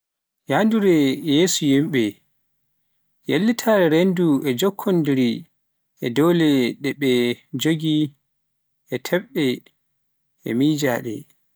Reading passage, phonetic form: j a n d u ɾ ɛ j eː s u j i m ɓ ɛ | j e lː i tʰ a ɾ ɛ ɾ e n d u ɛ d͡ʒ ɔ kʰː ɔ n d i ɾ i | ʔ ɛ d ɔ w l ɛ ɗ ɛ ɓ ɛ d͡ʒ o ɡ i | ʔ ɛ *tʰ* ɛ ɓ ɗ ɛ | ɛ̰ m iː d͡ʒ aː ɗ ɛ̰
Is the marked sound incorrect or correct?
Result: correct